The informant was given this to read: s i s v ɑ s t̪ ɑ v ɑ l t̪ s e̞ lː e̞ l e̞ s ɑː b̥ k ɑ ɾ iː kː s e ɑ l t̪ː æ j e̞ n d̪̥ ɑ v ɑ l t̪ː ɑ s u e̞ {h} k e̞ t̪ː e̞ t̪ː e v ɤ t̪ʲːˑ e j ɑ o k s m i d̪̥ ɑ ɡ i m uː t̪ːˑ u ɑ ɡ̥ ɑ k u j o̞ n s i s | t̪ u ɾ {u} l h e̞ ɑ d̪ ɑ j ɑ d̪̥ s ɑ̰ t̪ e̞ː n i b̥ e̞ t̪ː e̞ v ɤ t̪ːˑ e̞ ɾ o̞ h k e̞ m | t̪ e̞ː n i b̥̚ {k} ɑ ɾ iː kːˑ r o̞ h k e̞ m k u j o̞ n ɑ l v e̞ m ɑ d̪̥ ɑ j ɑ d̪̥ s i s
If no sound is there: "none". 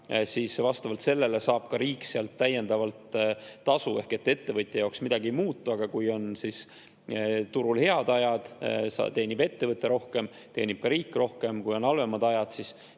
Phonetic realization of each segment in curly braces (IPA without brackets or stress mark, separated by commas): h, u, k